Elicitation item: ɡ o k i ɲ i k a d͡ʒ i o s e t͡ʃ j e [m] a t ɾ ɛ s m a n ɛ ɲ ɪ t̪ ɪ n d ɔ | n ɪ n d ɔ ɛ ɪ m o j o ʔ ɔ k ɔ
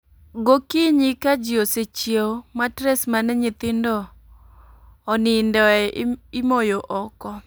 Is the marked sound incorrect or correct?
correct